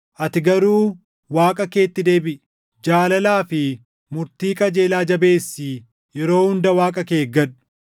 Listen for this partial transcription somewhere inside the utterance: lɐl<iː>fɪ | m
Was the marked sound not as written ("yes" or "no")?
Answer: yes